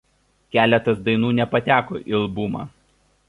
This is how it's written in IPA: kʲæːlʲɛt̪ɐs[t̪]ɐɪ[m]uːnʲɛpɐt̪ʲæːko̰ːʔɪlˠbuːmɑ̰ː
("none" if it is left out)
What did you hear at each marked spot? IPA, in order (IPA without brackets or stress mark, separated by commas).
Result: d̪, n